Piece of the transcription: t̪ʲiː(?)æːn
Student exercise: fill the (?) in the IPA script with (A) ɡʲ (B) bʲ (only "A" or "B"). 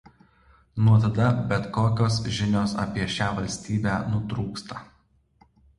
B